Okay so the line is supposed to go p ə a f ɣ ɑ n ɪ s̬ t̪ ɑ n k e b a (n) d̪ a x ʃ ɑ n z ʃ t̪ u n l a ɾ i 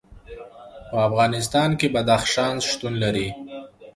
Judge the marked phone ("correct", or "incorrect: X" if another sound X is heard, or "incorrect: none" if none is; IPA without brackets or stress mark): incorrect: none